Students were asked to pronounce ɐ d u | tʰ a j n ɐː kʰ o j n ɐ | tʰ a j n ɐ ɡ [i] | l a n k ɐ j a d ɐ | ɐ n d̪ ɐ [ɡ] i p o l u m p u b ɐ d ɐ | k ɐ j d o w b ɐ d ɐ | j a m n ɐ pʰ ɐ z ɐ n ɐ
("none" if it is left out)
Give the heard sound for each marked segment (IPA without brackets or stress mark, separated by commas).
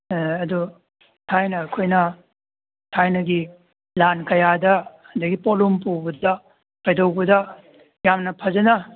i, ɡ